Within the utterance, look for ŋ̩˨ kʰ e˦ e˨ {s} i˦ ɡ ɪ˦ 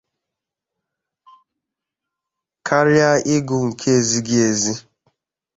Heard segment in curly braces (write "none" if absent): z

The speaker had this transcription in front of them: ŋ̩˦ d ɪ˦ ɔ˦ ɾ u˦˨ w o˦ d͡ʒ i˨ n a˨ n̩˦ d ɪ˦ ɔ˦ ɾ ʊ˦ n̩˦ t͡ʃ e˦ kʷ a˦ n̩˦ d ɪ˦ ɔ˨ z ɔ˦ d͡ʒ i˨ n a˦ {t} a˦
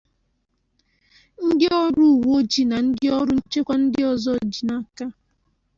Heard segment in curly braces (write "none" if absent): k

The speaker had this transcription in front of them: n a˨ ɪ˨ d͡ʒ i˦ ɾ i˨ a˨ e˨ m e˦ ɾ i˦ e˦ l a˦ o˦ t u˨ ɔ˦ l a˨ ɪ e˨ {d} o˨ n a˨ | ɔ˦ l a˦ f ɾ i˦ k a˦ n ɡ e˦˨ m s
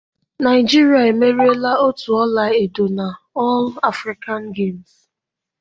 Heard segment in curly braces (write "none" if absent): d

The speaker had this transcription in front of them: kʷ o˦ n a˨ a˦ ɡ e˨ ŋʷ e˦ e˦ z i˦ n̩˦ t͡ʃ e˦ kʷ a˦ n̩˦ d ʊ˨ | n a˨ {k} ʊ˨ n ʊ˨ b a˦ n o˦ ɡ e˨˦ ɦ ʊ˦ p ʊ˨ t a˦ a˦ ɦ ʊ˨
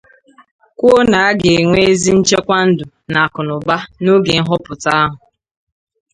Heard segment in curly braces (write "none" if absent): k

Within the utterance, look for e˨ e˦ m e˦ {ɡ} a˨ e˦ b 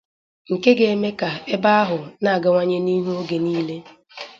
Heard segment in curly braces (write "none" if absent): k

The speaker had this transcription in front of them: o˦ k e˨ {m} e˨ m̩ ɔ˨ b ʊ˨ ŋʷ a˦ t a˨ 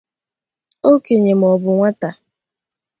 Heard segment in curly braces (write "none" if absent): ɲ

